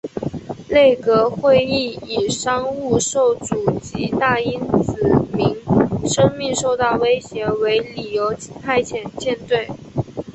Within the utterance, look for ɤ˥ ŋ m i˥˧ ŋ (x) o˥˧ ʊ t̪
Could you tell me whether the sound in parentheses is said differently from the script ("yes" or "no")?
yes